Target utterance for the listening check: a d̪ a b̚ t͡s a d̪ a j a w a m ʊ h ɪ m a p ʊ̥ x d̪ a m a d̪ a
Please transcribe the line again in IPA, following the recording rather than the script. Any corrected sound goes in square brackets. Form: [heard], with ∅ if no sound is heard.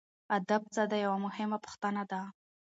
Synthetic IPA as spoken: a d̪ a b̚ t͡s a d̪ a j a w a m ʊ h ɪ m a p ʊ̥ x [t̪] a [n] a d̪ a